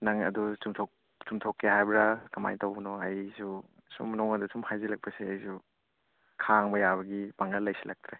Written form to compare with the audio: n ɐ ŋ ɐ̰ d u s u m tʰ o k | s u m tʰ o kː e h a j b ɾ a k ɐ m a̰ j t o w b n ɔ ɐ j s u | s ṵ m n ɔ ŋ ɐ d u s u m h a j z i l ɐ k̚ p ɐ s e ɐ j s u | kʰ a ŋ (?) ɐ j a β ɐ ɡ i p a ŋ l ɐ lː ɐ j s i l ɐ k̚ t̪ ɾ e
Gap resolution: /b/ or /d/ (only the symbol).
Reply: b